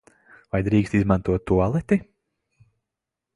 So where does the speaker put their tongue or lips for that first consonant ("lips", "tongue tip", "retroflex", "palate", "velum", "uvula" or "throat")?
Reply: lips